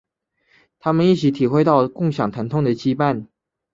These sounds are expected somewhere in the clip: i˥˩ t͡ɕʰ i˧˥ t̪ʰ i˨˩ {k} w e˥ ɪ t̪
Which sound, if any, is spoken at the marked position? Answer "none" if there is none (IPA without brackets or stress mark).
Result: x